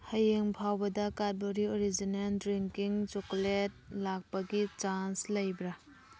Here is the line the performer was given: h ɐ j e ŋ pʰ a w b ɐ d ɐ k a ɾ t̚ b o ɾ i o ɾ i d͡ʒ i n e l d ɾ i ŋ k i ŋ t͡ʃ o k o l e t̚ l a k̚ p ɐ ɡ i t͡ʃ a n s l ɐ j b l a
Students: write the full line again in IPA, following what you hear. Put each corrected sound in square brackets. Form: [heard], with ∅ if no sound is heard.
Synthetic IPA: h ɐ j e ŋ pʰ a w b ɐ d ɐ k a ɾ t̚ b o ɾ i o ɾ i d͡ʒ i n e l d ɾ i ŋ k i ŋ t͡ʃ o k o l e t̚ l a k̚ p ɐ ɡ i t͡ʃ a n s l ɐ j b [ɾ] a